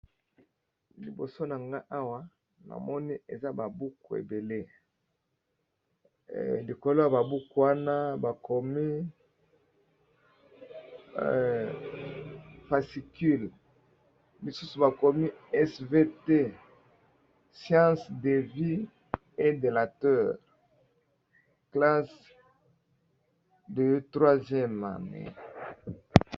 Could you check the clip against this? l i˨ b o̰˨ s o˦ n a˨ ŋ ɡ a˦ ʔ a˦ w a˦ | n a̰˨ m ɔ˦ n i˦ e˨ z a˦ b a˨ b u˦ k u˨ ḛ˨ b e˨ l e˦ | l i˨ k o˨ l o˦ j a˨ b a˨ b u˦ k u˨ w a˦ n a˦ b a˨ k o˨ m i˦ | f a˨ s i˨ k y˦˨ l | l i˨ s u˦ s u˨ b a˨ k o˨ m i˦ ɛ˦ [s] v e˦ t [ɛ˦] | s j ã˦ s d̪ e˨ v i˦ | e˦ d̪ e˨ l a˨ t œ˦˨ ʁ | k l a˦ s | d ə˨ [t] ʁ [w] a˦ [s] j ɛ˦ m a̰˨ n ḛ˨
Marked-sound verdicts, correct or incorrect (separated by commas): correct, incorrect, correct, correct, incorrect